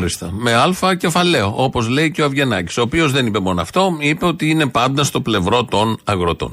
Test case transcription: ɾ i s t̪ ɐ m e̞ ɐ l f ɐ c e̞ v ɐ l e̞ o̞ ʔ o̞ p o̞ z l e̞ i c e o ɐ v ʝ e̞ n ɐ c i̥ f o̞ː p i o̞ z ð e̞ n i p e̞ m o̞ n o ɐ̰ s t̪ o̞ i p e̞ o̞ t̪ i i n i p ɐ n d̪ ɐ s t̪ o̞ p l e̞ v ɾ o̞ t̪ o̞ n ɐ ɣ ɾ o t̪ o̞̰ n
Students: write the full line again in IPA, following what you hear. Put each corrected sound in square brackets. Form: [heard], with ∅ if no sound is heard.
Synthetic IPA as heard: ɾ i s t̪ ɐ m e̞ ɐ l f ɐ c e̞ [f] ɐ l e̞ o̞ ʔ o̞ p o̞ z l e̞ i c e o ɐ v ʝ e̞ n ɐ c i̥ [s] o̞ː p i o̞ z ð e̞ n i p e̞ m o̞ n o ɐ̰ [f] t̪ o̞ i p e̞ o̞ t̪ i i n [e] p ɐ n d̪ ɐ s t̪ o̞ p l e̞ v ɾ o̞ t̪ o̞ n ɐ ɣ ɾ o t̪ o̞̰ n